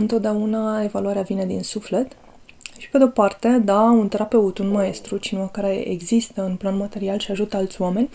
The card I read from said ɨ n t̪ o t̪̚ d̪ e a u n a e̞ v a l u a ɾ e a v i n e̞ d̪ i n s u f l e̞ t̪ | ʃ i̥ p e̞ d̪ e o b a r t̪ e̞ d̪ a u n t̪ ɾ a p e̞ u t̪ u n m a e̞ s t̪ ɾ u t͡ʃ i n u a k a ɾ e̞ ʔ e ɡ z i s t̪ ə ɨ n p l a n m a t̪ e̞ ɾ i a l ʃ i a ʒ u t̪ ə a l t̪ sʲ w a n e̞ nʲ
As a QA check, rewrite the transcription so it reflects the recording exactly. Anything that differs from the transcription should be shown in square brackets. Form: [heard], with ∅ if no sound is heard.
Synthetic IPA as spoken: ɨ n t̪ o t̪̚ d̪ e a u n a e̞ v a l u a ɾ e a v i n e̞ d̪ i n s u f l e̞ t̪ | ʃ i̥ p e̞ d̪ e o [p] a r t̪ e̞ d̪ a u n t̪ ɾ a p e̞ u t̪ u n m a e̞ s t̪ ɾ u t͡ʃ i n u a k a ɾ e̞ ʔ e ɡ z i s t̪ ə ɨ n p l a n m a t̪ e̞ ɾ i a l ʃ i a ʒ u t̪ ə a l t̪ sʲ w a [m] e̞ nʲ